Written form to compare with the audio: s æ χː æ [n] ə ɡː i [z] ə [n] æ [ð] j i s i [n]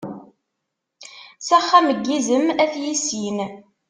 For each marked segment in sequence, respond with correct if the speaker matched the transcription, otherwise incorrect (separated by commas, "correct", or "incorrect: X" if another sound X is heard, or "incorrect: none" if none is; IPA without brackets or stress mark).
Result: incorrect: m, correct, incorrect: m, incorrect: θ, correct